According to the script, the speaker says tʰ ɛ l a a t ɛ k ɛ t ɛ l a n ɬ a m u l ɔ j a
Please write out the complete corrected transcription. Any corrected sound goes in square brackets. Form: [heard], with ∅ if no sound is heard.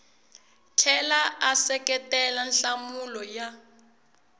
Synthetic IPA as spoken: tʰ ɛ l a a [s] ɛ k ɛ t ɛ l a n ɬ a m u l ɔ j a

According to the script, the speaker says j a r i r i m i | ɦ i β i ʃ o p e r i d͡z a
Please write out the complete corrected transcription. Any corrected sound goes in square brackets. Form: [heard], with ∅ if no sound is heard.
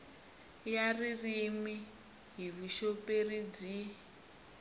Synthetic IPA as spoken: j a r i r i m i | ɦ i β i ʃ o p e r i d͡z [i]

